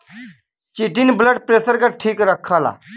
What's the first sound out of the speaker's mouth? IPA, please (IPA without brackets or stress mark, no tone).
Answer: t͡ʃ